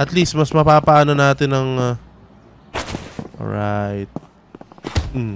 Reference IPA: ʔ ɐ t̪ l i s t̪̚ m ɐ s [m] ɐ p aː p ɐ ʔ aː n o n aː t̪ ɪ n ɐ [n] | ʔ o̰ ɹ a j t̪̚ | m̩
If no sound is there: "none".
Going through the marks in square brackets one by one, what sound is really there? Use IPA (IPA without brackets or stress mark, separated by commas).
m, ŋ